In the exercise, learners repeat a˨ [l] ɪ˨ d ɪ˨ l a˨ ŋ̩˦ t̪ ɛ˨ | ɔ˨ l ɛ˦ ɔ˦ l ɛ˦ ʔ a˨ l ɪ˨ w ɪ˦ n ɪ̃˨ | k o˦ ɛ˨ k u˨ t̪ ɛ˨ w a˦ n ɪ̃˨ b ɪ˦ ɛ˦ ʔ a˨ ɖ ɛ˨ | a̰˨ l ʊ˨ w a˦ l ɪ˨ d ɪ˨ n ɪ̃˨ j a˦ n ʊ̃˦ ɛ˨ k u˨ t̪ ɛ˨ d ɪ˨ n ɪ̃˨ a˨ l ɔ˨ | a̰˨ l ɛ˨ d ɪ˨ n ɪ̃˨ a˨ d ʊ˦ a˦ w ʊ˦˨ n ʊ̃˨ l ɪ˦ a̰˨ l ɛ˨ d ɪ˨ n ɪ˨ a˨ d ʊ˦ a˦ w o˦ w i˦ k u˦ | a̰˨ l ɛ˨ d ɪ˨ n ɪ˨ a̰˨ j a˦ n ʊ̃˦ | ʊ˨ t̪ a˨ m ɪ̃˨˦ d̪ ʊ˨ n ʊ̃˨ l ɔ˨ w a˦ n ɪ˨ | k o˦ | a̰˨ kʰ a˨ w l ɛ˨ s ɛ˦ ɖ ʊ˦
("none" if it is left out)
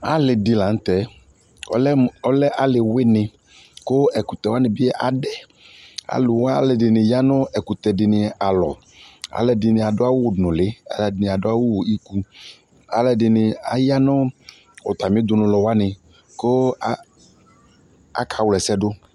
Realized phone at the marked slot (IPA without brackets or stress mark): l